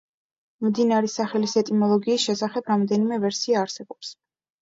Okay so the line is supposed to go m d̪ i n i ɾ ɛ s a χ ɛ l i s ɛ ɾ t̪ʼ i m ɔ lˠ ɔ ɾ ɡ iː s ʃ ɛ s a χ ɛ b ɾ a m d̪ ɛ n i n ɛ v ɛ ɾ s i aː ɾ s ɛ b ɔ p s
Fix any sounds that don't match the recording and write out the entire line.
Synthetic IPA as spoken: m d̪ i n a ɾ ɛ s a χ ɛ l i s ɛ t̪ʼ i m ɔ lˠ ɔ ɡ iː s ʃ ɛ s a χ ɛ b ɾ a m d̪ ɛ n i m ɛ v ɛ ɾ s i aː ɾ s ɛ b ɔ p s